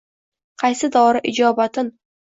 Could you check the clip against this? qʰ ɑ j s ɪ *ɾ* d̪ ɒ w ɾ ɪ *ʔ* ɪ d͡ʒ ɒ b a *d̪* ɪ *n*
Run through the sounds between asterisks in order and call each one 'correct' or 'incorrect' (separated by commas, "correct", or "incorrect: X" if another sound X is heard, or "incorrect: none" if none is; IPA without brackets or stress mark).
incorrect: none, correct, incorrect: t̪, correct